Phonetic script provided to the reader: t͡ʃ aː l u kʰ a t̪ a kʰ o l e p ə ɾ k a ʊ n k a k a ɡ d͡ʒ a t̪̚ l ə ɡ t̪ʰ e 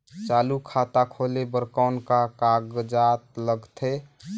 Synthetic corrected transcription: t͡ʃ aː l u kʰ a t̪ a kʰ o l e b ə ɾ k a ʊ n k a k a ɡ d͡ʒ a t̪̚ l ə ɡ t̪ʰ e